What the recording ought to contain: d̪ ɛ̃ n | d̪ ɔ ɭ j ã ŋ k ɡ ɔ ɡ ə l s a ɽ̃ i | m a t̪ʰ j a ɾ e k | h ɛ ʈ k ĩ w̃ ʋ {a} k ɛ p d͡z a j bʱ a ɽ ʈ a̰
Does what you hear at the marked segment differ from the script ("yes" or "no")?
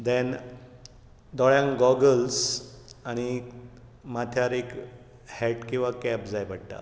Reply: no